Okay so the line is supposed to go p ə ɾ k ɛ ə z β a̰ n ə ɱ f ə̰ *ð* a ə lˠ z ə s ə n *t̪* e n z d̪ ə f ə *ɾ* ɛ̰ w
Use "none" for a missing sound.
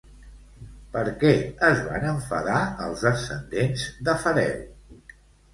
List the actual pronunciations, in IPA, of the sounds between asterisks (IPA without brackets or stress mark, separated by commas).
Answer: ð, d̪, ɾ